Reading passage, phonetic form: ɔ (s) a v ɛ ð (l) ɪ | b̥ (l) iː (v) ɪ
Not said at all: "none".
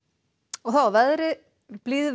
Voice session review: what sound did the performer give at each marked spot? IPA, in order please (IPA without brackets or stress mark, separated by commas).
θ, ɾ, l, ð